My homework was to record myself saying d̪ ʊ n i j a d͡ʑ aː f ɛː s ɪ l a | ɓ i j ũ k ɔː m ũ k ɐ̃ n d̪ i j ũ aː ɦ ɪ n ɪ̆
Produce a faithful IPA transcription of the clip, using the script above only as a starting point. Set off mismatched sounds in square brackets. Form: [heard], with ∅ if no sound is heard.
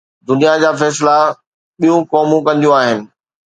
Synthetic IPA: d̪ ʊ n i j a d͡ʑ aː f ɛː s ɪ l a | ɓ i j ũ k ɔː m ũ k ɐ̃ n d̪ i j ũ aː ɦ ɪ n ɪ̆